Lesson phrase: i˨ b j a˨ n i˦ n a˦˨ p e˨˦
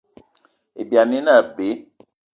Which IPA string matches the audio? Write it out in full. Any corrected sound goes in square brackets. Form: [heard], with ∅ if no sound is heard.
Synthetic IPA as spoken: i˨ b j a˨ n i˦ n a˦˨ [b] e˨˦